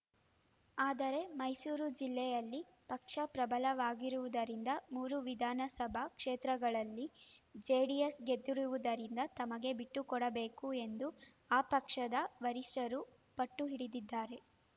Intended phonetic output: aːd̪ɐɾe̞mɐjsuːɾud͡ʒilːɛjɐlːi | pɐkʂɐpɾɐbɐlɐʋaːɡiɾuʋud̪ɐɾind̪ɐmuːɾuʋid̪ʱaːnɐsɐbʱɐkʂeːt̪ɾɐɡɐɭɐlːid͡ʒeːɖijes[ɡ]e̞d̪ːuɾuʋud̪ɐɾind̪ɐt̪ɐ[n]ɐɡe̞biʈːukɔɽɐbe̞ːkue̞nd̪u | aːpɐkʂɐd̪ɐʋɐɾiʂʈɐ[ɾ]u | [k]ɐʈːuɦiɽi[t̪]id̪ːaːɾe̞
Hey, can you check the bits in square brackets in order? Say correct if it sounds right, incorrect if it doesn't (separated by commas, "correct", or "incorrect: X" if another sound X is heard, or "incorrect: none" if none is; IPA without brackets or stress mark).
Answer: correct, incorrect: m, correct, incorrect: p, incorrect: d̪